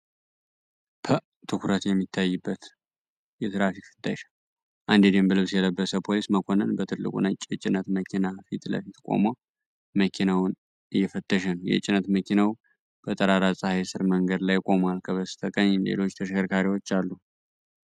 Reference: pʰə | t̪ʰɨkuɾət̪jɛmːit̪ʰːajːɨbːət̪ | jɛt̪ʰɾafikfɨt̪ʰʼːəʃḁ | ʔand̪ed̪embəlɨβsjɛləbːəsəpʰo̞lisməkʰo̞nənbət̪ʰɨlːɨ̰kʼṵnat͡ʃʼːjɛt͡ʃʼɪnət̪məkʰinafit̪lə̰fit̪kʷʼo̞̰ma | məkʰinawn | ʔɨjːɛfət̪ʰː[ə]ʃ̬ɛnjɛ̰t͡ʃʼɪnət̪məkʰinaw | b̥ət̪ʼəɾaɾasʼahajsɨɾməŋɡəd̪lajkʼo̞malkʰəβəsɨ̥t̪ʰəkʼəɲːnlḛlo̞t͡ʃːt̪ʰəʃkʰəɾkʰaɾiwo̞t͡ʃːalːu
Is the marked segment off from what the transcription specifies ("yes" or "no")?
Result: no